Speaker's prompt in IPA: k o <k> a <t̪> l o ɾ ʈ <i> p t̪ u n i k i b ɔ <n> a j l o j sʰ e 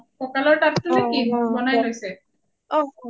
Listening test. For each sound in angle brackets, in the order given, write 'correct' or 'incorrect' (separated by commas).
correct, incorrect, incorrect, correct